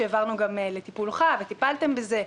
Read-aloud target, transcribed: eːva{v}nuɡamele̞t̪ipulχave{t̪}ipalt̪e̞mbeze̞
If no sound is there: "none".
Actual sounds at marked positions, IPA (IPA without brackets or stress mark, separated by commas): ʁ, t̪